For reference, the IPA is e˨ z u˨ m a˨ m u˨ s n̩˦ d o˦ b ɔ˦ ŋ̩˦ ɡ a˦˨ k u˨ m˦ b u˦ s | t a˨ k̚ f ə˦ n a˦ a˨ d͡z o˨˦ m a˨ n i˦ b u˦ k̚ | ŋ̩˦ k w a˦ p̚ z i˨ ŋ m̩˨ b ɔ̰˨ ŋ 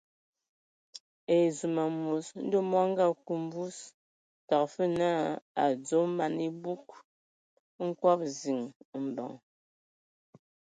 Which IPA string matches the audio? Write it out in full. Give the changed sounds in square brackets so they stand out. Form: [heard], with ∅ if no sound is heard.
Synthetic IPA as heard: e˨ z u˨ m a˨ m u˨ s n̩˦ d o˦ [m] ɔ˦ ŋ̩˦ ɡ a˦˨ k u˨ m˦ b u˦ s | t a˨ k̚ f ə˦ n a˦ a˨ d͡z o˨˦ m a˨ n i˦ b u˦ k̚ | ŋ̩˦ k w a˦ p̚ z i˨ ŋ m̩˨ b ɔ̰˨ ŋ